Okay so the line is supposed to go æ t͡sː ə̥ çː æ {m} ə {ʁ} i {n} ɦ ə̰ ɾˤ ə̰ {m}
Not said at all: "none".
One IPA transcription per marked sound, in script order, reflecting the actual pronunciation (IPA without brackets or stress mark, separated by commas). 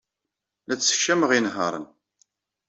m, ʁ, n, n